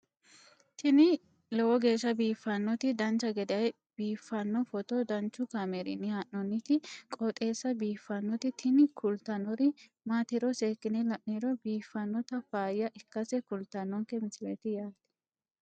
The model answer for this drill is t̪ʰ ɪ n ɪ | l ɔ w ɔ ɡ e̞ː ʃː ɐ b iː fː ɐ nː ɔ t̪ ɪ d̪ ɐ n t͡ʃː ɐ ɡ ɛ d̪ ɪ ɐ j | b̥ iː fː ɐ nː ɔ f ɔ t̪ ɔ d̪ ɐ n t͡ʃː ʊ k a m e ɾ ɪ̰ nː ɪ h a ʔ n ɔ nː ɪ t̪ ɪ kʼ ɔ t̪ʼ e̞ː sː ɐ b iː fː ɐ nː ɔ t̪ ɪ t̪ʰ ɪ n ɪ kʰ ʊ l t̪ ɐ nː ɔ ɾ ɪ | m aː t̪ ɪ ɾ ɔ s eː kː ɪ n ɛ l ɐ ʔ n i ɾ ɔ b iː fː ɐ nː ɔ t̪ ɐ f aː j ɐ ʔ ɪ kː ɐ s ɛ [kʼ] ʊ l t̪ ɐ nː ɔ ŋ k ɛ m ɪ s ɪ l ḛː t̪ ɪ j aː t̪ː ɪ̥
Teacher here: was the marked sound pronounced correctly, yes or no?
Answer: no